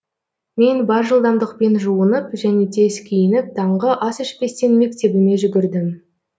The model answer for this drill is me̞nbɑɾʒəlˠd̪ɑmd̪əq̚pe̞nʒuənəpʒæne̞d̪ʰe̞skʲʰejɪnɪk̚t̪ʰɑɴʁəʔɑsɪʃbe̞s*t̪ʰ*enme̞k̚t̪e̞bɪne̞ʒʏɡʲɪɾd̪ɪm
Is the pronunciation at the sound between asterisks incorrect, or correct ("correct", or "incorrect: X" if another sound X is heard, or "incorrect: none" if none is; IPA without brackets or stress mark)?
incorrect: t̪